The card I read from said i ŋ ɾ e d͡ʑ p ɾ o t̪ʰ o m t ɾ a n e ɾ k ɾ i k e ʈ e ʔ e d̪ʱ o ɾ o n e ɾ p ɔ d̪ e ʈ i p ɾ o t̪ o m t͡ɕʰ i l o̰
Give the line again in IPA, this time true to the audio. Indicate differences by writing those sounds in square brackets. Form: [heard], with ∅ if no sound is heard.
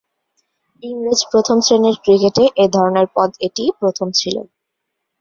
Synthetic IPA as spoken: i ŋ ɾ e d͡ʑ p ɾ o t̪ʰ o m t ɾ [e] n e ɾ k ɾ i k e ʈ e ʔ e d̪ʱ [ɔ] ɾ o n e ɾ p ɔ d̪ e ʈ i p ɾ o [t̪ʰ] o m t͡ɕʰ i l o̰